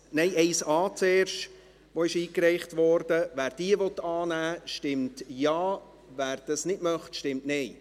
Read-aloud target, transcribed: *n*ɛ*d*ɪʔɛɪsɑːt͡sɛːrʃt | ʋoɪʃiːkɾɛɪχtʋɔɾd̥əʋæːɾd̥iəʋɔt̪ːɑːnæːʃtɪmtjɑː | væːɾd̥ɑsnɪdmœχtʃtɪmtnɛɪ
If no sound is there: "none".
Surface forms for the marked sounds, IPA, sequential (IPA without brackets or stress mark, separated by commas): n, none